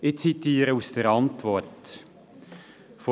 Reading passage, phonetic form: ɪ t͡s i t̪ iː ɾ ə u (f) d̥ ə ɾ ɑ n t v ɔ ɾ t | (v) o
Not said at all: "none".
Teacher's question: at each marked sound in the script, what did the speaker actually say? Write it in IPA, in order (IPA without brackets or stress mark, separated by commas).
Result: s, f